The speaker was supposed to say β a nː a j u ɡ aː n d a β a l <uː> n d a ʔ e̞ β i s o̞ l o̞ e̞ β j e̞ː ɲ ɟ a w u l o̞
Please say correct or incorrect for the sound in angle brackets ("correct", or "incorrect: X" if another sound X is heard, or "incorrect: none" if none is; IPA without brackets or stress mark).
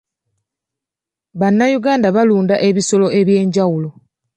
correct